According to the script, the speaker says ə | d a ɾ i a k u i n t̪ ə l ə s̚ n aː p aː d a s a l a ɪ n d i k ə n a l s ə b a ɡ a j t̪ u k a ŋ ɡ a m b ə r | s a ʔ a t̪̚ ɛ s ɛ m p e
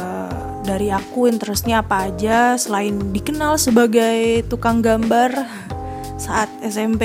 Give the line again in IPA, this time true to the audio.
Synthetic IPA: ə | d a ɾ i a k u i n t̪ ə ɾ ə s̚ ɲ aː p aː d͡ʒ a s ə l a ɪ n d i k ə n a l s ə b a ɡ a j t̪ u k a ŋ ɡ a m b a r | s a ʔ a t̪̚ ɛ s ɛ m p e